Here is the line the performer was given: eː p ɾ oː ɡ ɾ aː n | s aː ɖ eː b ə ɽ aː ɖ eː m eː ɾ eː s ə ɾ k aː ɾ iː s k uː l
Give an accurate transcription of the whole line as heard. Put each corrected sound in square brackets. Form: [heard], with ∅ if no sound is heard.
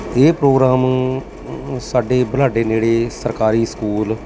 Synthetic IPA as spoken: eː p ɾ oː ɡ ɾ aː [m] | s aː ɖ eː b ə [l] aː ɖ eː [n] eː [ɽ] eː s ə ɾ k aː ɾ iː s k uː l